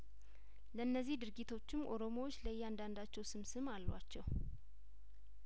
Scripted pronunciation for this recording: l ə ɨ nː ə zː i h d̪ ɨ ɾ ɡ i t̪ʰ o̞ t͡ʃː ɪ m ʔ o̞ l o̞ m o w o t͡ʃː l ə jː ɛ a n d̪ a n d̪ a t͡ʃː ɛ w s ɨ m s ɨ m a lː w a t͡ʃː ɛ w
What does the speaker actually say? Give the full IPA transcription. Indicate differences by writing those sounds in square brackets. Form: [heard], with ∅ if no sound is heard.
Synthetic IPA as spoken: l ə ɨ nː ə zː i h d̪ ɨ ɾ ɡ i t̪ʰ o̞ t͡ʃː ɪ m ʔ o̞ [ɾ] o̞ m o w o t͡ʃː l ə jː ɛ a n d̪ a n d̪ a t͡ʃː ɛ w s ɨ m s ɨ m a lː w a t͡ʃː ɛ w